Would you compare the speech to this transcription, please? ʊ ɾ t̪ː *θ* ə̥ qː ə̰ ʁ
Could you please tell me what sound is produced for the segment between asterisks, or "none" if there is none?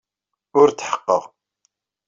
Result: ħ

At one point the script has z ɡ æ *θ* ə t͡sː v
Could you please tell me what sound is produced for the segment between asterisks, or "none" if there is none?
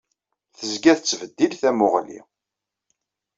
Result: θ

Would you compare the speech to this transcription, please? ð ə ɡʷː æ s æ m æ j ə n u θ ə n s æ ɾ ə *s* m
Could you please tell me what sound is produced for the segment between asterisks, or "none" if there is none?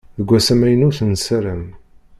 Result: none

